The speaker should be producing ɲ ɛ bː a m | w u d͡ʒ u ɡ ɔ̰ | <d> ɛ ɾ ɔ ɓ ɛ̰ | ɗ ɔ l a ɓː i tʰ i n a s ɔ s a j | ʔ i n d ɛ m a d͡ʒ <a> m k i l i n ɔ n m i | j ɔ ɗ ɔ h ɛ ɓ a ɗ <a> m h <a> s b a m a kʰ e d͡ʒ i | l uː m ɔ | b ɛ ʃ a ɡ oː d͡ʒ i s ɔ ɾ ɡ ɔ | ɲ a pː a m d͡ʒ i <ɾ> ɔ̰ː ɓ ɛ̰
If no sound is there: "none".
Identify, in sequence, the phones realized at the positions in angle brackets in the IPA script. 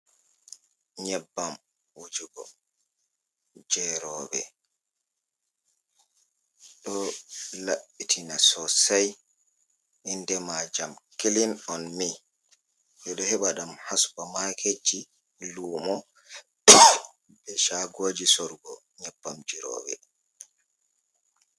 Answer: d͡ʒ, a, a, a, ɾ

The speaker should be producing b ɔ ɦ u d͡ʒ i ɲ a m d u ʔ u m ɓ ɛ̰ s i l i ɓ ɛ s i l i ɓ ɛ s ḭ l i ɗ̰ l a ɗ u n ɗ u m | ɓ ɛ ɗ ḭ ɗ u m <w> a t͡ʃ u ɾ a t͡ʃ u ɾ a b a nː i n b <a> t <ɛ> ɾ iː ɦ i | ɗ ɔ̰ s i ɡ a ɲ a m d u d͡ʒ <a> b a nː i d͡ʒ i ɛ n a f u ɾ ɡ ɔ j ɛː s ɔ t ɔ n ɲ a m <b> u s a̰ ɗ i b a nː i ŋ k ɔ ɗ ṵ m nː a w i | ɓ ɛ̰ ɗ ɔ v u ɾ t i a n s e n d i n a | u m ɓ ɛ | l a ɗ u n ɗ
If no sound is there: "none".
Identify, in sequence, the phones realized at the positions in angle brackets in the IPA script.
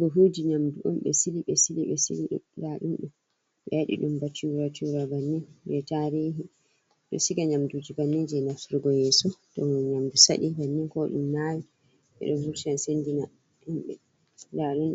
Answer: b, ɛ, a, i, d

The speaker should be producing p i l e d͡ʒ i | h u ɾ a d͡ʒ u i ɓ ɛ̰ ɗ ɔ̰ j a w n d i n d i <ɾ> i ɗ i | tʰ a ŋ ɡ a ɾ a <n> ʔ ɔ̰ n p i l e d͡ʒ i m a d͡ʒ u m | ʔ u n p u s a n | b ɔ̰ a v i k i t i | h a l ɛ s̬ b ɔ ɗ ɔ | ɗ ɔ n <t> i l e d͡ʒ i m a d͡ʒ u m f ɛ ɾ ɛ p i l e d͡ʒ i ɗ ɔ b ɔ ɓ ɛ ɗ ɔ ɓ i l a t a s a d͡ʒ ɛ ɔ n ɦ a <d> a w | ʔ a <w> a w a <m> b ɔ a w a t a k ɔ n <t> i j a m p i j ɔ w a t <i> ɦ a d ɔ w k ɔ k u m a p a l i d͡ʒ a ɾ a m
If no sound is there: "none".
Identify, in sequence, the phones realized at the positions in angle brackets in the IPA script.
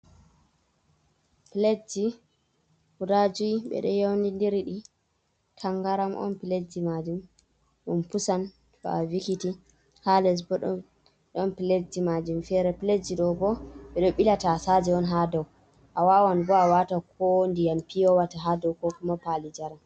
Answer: ɾ, m, p, d, w, n, d, a

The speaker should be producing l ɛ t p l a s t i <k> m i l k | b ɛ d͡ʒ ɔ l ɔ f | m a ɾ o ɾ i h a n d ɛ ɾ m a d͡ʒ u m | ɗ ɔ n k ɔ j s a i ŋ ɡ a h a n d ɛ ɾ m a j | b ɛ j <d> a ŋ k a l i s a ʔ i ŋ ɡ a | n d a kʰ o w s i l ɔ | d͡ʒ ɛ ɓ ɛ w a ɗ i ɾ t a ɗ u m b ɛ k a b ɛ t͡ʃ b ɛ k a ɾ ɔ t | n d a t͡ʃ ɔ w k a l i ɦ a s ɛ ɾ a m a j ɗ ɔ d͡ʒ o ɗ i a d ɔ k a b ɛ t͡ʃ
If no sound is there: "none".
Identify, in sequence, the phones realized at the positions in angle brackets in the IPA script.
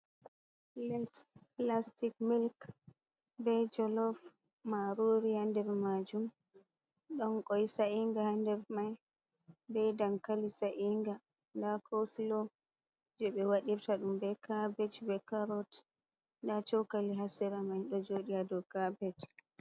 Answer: k, d

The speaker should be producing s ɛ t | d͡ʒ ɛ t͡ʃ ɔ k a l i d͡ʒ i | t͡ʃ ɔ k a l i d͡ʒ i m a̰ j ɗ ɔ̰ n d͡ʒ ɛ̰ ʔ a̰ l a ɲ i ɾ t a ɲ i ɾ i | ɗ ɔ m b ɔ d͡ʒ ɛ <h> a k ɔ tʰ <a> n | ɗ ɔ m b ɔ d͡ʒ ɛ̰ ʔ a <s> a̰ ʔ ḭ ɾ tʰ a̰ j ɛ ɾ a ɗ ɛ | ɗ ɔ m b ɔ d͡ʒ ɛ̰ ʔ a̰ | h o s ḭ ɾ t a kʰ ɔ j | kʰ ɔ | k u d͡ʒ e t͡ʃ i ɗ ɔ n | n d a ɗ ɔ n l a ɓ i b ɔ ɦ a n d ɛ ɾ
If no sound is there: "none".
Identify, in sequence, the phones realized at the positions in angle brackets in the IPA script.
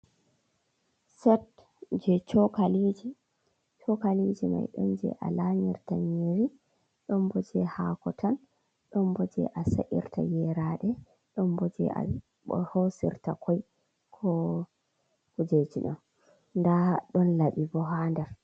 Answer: h, a, s

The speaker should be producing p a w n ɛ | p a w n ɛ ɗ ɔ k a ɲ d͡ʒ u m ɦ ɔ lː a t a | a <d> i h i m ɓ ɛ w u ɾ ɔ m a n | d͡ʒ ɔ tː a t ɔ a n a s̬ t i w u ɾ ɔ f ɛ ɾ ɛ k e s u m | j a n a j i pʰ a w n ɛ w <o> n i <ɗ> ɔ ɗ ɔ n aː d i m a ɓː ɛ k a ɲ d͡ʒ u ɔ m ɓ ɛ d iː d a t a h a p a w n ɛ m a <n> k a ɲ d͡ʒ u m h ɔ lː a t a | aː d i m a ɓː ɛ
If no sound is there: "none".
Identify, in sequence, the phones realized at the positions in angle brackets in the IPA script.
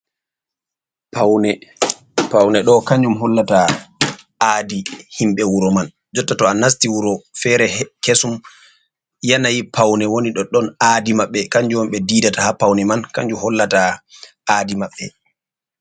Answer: d, o, ɗ, n

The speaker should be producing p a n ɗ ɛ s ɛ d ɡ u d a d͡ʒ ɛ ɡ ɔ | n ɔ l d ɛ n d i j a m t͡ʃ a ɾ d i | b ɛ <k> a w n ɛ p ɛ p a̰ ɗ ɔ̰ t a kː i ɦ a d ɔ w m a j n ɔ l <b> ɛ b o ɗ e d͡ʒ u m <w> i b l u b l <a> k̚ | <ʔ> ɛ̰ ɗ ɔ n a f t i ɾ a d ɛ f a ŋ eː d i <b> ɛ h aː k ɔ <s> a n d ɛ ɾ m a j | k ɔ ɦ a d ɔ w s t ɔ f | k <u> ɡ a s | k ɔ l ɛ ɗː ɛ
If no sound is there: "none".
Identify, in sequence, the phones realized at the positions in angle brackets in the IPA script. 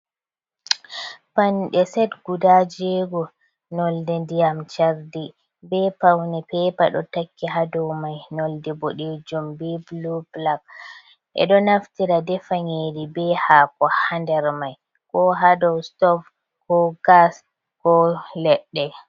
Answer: p, d, b, a, ʔ, b, h, ɔ

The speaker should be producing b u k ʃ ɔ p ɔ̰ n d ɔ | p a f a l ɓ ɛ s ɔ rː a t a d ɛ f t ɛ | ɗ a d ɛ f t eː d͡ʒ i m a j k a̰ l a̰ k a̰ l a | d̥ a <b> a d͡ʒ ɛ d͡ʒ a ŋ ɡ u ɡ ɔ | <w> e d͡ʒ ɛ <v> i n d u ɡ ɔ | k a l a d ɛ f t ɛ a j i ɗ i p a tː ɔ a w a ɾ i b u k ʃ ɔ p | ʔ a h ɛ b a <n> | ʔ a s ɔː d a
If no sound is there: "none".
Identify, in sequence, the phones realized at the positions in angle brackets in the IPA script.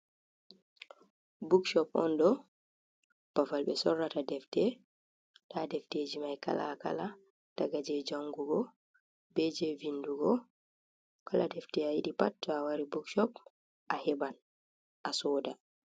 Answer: ɡ, b, v, n

